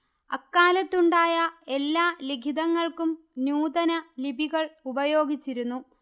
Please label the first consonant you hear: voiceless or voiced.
voiceless